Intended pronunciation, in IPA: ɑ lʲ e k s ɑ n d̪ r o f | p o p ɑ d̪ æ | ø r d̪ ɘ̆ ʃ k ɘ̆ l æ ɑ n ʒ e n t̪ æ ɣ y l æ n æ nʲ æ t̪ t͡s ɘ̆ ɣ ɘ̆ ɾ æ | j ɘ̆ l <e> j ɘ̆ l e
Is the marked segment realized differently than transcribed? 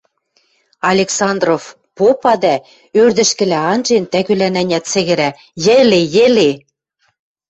no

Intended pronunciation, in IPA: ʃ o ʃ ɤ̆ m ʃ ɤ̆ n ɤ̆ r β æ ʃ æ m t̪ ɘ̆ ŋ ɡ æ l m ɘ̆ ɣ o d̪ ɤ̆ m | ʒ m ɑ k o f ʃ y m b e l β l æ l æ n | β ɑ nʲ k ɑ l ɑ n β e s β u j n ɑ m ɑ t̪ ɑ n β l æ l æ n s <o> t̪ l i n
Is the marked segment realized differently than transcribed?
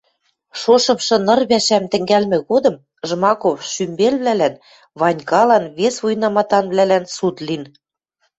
yes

